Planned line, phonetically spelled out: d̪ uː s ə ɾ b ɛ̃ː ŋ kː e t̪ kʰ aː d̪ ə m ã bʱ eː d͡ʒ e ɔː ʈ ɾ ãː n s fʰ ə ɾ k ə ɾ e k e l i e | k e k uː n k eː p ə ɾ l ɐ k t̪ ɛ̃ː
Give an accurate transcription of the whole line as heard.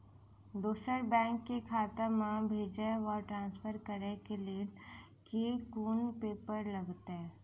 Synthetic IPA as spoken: d̪ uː s ə ɾ b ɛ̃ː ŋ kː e kʰ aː t̪ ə m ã bʱ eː d͡ʒ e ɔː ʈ ɾ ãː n s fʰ ə ɾ k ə ɾ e k e l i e | k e k uː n p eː p ə ɾ l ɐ ɡ t̪ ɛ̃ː